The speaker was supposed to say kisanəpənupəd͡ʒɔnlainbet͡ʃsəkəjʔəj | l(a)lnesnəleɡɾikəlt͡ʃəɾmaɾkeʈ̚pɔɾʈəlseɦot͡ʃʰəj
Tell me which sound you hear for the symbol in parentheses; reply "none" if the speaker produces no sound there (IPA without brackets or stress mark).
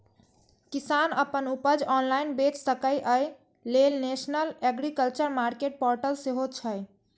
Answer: e